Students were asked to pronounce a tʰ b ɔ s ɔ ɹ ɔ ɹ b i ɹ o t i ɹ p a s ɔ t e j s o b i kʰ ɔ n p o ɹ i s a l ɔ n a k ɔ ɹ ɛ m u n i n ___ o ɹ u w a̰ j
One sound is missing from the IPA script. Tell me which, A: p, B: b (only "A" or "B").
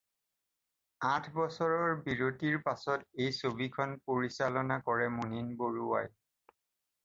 B